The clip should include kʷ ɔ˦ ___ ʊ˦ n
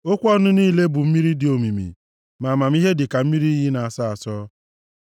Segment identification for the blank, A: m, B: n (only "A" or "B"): B